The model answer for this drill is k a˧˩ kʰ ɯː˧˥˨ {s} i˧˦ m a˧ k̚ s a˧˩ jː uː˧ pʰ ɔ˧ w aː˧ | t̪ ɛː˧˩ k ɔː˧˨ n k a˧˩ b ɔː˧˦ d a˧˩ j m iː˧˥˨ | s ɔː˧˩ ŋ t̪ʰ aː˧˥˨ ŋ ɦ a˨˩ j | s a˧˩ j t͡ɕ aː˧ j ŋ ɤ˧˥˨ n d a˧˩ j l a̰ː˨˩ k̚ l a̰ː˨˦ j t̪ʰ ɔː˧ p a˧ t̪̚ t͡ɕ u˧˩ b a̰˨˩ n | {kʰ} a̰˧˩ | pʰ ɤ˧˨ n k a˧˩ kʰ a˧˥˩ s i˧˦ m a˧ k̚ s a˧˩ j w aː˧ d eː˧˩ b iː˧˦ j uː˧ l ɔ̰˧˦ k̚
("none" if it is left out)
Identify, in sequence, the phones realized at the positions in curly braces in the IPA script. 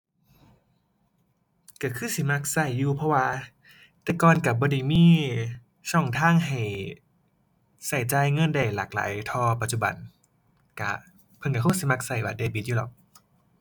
s, k

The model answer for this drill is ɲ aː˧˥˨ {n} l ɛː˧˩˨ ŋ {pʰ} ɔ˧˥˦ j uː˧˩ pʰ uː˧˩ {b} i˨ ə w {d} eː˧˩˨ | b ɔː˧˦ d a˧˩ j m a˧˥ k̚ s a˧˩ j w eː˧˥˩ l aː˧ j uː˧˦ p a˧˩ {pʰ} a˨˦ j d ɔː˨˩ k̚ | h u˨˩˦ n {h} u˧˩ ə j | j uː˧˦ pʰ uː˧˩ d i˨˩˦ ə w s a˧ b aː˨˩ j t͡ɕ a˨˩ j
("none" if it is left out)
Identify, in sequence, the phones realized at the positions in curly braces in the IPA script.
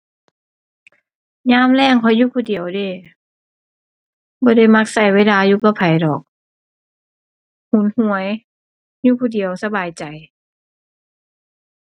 m, kʰ, d, d, pʰ, h

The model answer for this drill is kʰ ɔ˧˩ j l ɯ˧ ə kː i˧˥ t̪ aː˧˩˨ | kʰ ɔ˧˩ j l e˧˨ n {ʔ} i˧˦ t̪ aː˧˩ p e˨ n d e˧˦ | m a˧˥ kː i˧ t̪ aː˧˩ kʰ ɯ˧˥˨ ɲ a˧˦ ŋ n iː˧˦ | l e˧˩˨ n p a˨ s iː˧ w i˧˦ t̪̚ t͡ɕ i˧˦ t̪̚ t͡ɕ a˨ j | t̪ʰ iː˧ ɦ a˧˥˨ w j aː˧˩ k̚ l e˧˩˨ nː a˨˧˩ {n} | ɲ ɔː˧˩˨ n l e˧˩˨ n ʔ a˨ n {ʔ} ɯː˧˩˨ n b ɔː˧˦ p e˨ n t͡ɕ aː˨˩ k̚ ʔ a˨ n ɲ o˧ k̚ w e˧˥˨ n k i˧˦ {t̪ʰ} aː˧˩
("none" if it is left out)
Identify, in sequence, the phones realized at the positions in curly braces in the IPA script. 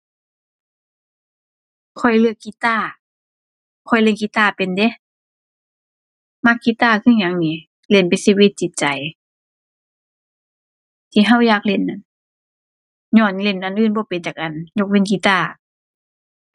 k, n, ʔ, t̪

